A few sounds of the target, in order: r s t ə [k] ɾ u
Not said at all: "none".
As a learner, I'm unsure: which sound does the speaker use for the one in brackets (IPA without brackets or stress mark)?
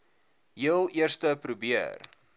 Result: p